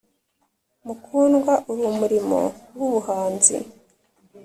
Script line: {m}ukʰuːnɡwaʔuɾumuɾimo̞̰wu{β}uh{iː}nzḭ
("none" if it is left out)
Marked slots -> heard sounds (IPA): m, β, aː

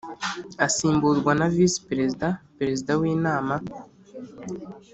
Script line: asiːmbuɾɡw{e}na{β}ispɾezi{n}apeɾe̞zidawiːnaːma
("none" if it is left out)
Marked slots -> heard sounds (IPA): a, v, d

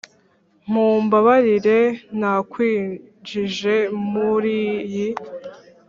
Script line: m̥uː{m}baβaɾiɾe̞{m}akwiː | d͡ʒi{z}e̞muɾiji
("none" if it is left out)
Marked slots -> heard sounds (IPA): m, n, ʒ

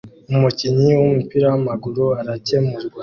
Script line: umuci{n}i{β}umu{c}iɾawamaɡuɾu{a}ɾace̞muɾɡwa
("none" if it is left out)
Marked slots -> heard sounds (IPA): ɲ, w, p, a

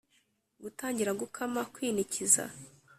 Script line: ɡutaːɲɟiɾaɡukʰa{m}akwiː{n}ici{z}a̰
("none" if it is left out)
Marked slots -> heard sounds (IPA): m, n, z

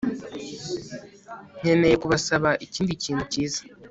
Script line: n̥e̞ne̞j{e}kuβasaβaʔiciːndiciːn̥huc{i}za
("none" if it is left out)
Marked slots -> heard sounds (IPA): e, iː

